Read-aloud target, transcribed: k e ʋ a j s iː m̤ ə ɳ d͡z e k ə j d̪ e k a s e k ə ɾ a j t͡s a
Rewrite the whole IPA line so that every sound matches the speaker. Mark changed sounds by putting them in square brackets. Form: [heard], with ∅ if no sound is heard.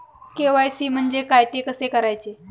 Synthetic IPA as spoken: k e ʋ a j s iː m̤ ə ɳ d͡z e k [a] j [t̪] e k [ə] s e k ə ɾ a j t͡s [e]